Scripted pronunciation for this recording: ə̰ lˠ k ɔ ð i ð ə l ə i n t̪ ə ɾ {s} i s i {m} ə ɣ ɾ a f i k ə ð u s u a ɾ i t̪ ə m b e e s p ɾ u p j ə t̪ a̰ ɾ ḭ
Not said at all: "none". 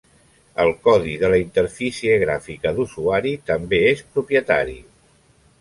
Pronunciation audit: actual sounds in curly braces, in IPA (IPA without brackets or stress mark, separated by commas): f, none